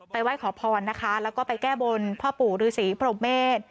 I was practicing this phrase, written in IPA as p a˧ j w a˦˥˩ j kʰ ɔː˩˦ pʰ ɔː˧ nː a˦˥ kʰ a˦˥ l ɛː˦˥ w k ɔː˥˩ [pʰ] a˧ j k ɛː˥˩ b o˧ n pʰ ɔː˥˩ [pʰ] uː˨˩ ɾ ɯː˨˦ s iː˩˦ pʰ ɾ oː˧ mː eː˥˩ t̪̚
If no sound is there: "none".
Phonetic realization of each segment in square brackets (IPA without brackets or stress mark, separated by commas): p, p